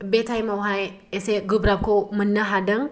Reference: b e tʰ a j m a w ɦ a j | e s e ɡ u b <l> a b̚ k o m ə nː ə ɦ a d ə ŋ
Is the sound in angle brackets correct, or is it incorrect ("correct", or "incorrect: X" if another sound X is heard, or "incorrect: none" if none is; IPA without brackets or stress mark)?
incorrect: ɾ